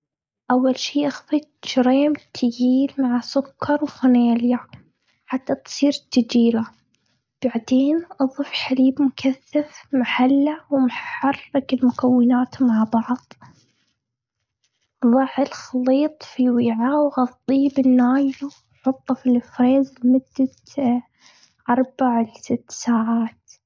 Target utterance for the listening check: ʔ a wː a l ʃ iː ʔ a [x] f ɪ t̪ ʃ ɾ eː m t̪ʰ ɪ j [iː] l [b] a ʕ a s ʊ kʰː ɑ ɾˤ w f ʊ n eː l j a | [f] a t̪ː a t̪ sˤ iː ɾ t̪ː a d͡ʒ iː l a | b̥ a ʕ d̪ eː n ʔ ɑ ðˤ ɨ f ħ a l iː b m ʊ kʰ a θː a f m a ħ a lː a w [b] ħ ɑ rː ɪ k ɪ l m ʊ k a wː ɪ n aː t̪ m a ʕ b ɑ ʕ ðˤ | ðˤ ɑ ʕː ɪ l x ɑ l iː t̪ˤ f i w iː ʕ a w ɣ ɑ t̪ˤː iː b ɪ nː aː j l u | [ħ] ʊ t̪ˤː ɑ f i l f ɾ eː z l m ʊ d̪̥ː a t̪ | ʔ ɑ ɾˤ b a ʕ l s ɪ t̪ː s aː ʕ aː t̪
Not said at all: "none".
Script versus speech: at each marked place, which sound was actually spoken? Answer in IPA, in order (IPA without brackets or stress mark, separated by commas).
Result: x, iː, m, ħ, m, ħ